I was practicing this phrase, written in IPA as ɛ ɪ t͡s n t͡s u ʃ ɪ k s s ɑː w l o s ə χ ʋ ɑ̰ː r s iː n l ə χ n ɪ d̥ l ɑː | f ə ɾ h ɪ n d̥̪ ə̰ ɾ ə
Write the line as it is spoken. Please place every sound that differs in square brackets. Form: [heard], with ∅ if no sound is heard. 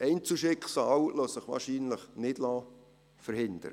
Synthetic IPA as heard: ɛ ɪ [∅] n t͡s u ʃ ɪ k [χ] s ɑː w l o s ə χ ʋ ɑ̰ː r [ʃ] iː n l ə χ n ɪ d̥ l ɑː | f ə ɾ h ɪ n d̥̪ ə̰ ɾ ə